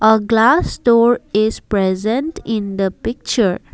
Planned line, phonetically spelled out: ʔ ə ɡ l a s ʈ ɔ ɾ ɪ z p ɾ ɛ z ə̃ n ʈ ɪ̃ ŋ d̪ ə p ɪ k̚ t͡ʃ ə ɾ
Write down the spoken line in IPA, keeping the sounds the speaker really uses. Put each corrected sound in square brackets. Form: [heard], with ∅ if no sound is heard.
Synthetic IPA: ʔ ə ɡ l a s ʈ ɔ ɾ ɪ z p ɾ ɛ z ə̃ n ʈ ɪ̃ [n] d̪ ə p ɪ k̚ t͡ʃ ə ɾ